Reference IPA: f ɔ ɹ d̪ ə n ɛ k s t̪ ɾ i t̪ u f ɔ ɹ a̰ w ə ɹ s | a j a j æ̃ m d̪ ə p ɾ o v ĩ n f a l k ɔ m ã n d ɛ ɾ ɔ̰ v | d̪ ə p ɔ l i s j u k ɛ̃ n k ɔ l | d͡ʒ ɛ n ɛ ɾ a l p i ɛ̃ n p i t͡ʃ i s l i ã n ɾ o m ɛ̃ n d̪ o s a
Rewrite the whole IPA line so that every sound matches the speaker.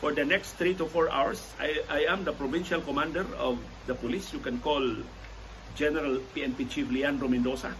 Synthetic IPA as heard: f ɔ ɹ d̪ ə n ɛ k s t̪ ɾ i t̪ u f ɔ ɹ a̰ w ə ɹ s | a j a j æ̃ m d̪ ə p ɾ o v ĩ n ʃ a l k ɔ m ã n d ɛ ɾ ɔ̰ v | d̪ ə p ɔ l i s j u k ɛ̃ n k ɔ l | d͡ʒ ɛ n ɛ ɾ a l p i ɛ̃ n p i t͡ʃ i f l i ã n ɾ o m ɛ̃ n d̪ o s a